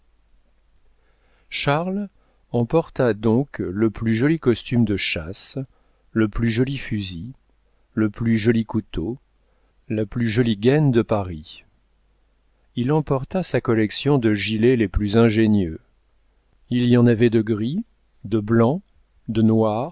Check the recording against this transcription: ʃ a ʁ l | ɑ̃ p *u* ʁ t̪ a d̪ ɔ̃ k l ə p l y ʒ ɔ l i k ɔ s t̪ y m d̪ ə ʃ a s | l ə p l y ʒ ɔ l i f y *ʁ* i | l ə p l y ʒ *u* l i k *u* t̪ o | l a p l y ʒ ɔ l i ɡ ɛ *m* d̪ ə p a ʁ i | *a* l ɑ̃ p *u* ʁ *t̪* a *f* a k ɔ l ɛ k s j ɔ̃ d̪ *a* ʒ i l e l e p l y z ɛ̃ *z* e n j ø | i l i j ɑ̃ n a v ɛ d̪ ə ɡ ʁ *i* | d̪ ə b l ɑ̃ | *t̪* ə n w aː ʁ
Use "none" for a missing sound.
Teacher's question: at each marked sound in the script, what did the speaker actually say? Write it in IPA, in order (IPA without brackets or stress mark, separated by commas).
ɔ, z, ɔ, u, n, i, ɔ, t̪, s, ə, ʒ, i, d̪